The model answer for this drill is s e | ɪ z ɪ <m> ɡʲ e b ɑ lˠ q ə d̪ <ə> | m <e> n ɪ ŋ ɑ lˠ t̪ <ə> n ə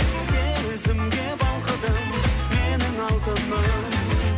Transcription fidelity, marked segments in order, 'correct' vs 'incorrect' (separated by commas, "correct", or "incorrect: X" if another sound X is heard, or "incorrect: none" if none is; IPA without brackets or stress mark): correct, correct, correct, correct